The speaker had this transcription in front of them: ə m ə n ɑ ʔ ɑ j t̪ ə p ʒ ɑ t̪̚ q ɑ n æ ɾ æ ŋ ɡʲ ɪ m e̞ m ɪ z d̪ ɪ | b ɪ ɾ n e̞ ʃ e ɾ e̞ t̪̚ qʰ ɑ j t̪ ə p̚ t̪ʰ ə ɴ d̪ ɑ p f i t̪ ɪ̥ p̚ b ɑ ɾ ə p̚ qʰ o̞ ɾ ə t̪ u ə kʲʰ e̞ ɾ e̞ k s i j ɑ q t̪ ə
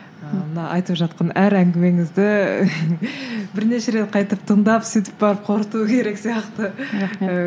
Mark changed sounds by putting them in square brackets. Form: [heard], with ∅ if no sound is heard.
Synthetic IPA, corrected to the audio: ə m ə n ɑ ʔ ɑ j t̪ ə p ʒ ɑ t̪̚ q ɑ n æ ɾ æ ŋ ɡʲ ɪ m e̞ [ŋ] ɪ z d̪ ɪ | b ɪ ɾ n e̞ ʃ e ɾ e̞ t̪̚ qʰ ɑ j t̪ ə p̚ t̪ʰ ə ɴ d̪ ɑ p [s] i t̪ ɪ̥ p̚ b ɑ ɾ ə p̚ qʰ o̞ ɾ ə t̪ u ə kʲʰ e̞ ɾ e̞ k s i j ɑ q t̪ ə